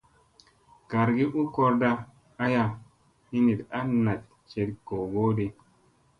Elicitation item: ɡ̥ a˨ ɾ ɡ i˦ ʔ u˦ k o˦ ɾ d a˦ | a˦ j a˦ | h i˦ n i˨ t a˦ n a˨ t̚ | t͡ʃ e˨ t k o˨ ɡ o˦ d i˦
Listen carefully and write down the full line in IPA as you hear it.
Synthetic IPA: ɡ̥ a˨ ɾ ɡ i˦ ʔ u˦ k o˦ ɾ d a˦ | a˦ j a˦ | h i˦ n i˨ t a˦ n a˨ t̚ | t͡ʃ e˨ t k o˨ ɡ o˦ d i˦